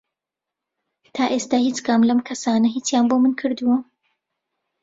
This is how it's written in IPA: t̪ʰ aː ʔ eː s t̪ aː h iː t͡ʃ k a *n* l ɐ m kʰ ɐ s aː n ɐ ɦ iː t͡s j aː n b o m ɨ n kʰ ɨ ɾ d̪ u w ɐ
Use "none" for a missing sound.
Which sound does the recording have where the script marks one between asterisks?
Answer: m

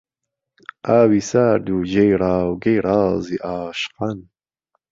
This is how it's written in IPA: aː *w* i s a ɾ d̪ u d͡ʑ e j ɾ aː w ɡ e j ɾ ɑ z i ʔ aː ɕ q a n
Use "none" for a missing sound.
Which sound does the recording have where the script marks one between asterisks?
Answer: w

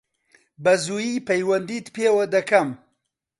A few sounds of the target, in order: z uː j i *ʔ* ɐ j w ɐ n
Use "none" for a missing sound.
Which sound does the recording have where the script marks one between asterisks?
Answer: p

